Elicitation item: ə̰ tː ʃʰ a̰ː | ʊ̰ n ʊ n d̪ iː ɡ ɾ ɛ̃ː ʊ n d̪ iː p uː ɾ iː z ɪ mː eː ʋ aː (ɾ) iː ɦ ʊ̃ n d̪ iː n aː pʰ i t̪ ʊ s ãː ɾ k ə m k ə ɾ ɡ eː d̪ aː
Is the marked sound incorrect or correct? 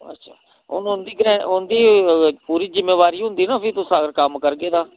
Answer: correct